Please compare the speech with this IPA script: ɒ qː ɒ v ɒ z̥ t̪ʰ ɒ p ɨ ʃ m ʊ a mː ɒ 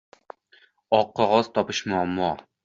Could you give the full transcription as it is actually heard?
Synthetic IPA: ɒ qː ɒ ʁ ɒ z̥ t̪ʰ ɒ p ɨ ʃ m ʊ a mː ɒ